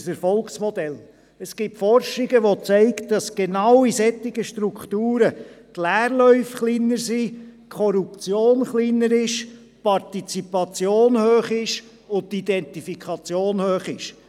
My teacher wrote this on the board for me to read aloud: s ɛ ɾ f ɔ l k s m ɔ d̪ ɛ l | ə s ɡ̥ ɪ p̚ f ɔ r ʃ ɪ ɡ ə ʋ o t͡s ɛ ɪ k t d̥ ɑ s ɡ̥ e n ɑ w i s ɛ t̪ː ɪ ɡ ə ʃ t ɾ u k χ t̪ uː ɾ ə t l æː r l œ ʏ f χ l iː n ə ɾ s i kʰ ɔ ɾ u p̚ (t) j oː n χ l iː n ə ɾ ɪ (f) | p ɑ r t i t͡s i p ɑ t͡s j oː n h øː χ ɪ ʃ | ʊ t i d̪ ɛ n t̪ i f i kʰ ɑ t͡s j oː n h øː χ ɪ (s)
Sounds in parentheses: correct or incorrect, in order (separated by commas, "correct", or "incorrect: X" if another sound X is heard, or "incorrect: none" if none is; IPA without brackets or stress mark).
incorrect: t͡s, incorrect: ʃ, incorrect: ʃ